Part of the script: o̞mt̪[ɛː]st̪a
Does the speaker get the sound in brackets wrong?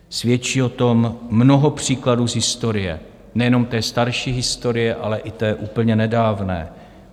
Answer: no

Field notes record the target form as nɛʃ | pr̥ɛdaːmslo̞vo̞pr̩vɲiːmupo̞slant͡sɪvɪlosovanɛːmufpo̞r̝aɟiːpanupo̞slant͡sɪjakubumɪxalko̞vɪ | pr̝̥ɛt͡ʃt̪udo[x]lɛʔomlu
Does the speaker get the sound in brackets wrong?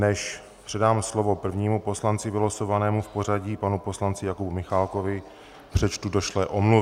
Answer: yes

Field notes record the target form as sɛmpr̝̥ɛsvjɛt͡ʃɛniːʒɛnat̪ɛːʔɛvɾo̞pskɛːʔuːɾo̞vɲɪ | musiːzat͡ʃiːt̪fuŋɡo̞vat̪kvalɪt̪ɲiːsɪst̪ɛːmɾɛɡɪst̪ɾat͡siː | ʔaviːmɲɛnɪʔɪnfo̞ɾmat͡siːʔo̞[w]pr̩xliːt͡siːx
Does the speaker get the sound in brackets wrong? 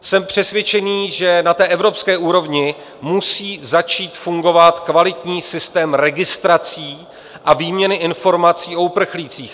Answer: yes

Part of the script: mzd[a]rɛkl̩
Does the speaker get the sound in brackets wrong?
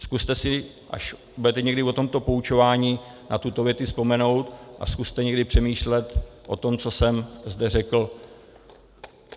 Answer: yes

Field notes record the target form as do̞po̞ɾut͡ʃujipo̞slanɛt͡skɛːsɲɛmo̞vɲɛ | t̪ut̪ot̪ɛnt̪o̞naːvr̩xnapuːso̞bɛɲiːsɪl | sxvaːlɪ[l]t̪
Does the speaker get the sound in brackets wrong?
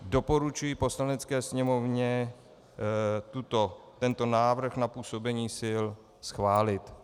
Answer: yes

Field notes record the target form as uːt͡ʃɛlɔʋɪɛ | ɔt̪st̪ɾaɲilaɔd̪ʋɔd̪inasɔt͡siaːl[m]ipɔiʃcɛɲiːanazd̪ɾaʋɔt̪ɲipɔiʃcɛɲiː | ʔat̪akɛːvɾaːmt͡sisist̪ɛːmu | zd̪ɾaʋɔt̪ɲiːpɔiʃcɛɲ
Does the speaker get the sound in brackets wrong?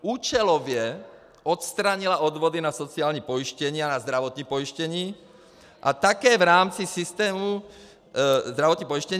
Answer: yes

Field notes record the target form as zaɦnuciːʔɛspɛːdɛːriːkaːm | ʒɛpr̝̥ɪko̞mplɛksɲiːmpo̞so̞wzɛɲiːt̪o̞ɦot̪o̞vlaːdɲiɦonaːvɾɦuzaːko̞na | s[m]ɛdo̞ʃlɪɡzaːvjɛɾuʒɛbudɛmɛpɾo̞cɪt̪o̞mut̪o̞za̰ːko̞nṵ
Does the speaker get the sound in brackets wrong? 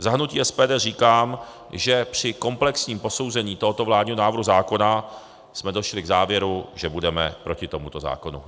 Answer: no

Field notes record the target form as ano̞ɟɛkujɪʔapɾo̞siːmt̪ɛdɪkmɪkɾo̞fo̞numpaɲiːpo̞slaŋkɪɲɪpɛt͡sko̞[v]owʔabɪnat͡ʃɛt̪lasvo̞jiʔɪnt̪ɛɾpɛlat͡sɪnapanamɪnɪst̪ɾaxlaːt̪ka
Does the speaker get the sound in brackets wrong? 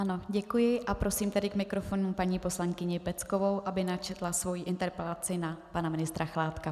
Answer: no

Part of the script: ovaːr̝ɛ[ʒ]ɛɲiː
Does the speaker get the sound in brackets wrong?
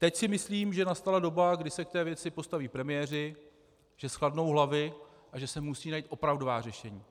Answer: yes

